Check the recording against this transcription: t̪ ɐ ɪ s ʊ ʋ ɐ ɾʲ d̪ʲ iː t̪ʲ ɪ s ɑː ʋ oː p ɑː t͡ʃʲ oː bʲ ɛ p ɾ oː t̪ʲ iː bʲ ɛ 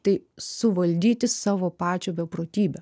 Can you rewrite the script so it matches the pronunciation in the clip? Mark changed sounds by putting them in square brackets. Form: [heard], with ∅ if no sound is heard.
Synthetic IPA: t̪ ɐ ɪ s ʊ ʋ ɐ [lʲ] d̪ʲ iː t̪ʲ ɪ s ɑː ʋ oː p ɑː t͡ʃʲ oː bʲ ɛ p ɾ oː t̪ʲ iː bʲ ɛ